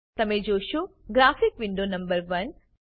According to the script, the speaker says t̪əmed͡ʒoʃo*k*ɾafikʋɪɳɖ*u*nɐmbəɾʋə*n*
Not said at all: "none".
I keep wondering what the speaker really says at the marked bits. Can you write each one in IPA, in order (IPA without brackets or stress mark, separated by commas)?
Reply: ɡ, o, n